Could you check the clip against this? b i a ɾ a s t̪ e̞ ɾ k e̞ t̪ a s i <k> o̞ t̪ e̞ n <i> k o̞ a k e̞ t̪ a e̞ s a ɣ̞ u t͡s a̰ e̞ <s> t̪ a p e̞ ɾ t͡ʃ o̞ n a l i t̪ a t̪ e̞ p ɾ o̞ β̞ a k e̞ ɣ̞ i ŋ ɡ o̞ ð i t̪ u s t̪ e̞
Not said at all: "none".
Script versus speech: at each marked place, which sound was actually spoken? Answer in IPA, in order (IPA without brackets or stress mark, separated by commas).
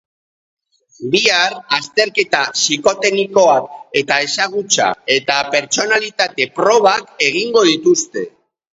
k, i, none